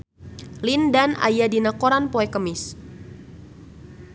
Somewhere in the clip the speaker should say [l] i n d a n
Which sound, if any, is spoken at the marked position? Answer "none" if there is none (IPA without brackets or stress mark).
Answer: l